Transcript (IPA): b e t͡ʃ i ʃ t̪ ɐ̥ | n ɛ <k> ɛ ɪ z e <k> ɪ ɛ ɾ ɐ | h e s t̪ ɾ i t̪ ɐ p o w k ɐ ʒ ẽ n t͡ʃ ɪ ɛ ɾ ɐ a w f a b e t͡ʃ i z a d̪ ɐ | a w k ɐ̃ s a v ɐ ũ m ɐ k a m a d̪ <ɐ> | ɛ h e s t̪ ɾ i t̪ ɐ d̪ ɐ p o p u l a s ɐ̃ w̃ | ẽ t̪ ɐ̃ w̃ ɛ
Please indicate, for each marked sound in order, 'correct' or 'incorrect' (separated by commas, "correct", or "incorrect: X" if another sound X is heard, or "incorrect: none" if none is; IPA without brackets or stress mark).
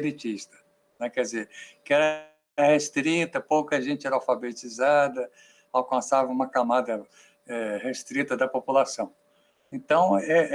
correct, correct, correct